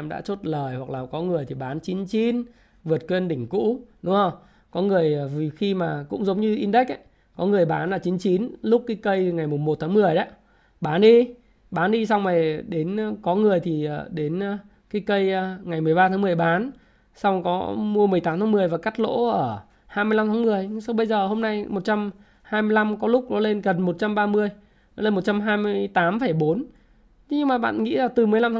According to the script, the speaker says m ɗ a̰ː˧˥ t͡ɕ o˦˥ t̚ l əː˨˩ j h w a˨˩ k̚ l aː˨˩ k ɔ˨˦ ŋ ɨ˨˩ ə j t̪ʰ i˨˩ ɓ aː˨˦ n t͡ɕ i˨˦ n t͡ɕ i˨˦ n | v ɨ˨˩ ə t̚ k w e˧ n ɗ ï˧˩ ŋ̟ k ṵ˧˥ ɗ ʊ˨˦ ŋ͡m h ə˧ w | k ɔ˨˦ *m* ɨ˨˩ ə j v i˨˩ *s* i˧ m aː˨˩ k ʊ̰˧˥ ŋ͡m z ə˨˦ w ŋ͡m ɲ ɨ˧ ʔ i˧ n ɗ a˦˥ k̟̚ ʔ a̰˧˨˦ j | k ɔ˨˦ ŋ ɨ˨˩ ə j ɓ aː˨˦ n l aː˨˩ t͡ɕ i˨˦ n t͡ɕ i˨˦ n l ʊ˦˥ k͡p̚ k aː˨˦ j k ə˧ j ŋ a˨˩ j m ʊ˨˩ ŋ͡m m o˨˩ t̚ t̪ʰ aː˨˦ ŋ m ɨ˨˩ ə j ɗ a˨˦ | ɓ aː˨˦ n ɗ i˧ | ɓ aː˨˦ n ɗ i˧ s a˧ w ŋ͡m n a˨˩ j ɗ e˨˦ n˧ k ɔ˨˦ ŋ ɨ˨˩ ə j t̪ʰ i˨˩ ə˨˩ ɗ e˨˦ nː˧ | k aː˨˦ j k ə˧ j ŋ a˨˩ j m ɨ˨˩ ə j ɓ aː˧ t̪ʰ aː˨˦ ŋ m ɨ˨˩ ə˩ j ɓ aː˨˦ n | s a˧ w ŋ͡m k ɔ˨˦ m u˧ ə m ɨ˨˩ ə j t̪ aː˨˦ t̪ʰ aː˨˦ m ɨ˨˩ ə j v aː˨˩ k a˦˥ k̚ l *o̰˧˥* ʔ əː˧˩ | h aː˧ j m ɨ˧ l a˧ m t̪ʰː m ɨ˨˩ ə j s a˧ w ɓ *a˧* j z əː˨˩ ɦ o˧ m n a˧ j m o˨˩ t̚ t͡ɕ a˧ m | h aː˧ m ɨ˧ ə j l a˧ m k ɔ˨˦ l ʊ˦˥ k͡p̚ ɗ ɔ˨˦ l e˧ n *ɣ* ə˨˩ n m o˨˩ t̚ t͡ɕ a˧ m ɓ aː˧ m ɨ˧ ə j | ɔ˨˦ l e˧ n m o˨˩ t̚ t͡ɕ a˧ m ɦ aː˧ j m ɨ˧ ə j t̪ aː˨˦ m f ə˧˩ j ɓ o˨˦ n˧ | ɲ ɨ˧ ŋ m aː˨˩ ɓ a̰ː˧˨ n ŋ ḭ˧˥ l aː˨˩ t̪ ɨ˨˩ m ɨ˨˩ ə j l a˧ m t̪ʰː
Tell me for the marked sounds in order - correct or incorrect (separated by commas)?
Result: incorrect, incorrect, correct, incorrect, correct